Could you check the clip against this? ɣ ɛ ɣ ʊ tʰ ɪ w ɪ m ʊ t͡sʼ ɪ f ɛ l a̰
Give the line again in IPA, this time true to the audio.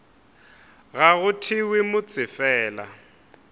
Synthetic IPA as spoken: ɣ a ɣ ʊ tʰ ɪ w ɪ m ʊ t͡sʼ ɪ f ɛː l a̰